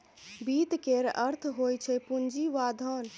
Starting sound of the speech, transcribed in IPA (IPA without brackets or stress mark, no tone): b